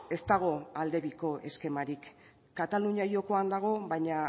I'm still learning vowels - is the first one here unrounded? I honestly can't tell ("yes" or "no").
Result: yes